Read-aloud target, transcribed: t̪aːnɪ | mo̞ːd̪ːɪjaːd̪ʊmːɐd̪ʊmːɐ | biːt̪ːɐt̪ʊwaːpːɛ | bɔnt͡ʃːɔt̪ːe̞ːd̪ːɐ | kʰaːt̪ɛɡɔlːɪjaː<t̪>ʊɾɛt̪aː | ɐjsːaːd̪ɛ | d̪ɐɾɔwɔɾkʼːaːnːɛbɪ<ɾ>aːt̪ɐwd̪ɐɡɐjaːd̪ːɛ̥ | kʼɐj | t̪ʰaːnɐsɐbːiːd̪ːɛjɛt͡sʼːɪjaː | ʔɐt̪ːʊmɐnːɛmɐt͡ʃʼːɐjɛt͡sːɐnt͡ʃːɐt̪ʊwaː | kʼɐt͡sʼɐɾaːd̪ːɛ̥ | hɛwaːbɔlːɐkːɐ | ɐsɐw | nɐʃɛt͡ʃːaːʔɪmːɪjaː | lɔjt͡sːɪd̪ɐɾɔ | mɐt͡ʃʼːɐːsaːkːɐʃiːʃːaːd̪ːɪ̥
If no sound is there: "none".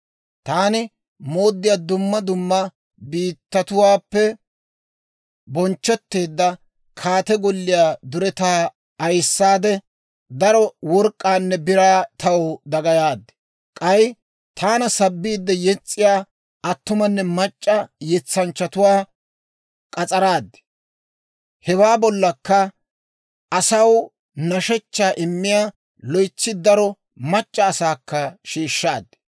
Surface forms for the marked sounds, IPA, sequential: d̪, ɾ

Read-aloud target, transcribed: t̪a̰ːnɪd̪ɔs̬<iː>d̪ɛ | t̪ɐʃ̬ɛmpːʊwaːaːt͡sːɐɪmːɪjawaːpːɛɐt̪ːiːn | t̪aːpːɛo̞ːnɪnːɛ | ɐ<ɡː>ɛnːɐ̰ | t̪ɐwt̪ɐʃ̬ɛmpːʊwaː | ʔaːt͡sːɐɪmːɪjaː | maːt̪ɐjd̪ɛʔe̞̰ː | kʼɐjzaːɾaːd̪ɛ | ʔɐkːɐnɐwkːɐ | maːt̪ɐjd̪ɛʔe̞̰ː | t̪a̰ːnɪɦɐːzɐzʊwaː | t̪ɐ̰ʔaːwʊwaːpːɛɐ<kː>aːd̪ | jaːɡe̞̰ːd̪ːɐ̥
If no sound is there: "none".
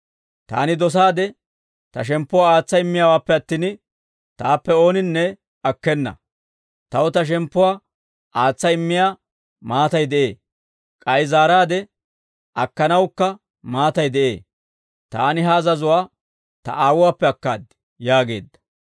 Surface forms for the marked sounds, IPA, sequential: aː, kː, kː

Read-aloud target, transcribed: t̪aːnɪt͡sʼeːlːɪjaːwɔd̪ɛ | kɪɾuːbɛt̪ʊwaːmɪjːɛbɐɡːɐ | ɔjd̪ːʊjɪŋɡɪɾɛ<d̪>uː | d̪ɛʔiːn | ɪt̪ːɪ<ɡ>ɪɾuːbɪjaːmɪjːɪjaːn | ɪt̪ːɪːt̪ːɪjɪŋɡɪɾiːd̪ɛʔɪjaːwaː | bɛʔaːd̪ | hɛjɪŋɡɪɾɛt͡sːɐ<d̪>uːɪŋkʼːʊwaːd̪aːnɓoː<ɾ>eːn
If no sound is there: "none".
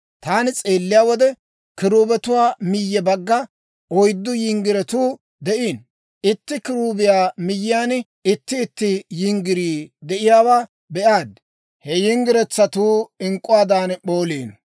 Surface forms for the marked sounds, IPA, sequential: t̪, k, t̪, l

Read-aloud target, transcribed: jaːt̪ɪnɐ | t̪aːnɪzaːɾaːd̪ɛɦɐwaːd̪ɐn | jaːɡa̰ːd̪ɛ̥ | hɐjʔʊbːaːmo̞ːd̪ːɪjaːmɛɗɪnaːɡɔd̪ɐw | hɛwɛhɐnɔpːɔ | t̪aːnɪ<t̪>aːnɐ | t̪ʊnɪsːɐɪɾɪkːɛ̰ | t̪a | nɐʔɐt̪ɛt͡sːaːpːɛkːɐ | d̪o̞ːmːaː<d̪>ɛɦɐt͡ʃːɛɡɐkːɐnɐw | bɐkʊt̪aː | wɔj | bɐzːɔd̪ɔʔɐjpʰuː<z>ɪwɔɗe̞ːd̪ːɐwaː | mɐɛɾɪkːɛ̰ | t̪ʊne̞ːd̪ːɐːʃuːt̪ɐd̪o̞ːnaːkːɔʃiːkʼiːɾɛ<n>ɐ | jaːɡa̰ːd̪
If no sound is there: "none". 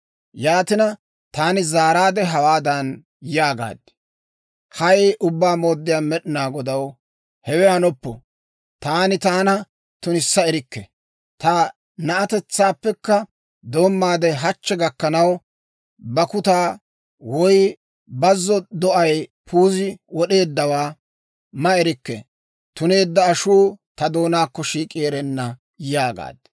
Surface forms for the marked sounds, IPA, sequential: t̪, d̪, z, nː

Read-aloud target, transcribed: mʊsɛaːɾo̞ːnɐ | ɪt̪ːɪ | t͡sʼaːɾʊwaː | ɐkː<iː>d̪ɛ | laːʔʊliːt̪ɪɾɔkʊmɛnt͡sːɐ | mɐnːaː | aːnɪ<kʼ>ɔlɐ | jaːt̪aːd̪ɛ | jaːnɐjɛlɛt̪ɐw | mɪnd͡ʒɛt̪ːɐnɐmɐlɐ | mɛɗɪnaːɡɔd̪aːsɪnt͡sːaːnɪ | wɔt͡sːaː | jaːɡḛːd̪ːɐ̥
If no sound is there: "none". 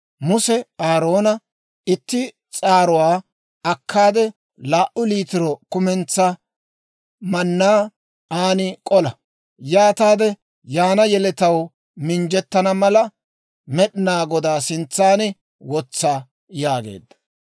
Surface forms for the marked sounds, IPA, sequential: aː, kʼ

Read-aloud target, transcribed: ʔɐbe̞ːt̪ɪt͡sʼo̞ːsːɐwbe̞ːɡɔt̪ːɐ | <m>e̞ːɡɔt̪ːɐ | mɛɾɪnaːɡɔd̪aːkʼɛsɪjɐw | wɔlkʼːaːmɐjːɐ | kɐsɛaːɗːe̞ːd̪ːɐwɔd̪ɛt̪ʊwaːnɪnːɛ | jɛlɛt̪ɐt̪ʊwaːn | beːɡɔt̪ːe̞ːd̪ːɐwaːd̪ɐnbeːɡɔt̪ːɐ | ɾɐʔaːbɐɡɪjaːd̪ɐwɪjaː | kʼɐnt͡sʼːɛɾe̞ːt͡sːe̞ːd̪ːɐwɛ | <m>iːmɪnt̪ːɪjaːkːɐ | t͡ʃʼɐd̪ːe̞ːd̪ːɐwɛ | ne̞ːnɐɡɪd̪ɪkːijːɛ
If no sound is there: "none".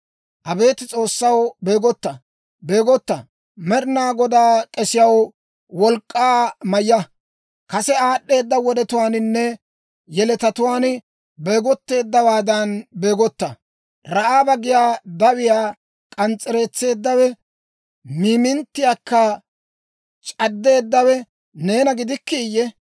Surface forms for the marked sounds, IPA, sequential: b, m

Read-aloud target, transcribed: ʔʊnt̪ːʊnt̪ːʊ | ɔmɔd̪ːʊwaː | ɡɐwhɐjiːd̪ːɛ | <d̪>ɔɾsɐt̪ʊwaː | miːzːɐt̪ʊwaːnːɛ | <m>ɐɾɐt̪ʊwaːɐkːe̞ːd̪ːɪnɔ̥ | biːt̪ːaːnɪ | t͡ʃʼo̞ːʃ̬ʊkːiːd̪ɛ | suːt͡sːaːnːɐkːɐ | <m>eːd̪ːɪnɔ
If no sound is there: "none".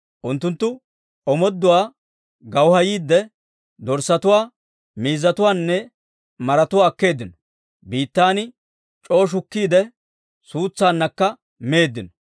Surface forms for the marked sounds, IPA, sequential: d̪, m, m

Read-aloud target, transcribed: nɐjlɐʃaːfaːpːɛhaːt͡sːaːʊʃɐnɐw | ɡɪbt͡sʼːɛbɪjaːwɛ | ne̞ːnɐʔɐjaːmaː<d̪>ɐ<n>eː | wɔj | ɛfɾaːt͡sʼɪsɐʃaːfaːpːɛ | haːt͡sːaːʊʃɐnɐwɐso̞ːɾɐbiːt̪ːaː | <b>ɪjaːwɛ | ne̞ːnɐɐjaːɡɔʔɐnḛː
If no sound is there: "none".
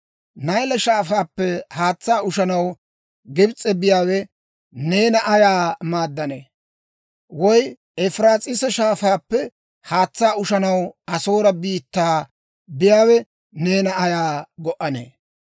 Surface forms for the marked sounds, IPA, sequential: d̪ː, n, b

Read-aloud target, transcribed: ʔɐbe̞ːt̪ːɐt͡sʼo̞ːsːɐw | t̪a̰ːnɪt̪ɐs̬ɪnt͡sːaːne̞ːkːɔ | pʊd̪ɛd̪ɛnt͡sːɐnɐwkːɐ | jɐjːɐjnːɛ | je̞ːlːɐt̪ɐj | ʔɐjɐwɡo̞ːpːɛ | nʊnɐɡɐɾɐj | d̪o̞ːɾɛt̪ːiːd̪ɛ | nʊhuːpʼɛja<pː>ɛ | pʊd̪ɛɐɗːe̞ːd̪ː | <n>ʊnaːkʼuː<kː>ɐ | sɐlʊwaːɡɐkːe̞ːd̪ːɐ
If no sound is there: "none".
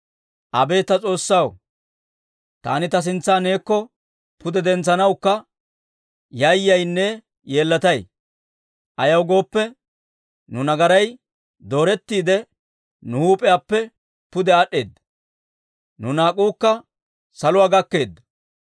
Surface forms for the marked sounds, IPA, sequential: pː, n, kː

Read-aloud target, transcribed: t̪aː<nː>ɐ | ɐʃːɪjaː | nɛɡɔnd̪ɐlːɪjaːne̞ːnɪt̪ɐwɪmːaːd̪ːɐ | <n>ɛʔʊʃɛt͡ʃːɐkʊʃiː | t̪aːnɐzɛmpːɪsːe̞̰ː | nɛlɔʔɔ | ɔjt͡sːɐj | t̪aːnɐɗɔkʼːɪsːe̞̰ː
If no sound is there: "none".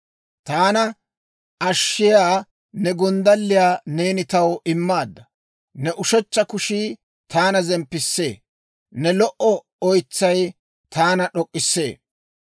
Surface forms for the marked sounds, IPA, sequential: n, n

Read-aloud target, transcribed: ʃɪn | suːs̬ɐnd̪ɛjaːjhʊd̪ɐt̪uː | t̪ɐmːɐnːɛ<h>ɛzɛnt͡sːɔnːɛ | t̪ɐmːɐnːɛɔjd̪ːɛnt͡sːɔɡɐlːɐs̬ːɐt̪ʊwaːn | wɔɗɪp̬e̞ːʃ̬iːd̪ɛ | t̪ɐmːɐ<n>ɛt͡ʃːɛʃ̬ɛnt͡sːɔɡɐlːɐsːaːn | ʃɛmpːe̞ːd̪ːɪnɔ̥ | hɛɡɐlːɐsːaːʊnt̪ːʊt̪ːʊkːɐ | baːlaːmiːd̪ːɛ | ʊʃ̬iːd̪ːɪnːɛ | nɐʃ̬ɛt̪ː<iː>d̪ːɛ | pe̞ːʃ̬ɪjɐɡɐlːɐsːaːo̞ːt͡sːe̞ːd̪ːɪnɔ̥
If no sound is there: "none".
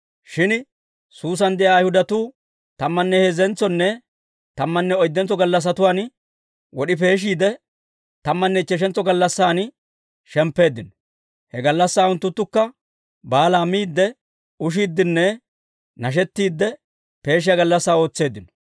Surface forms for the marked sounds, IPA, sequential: h, nː, iː

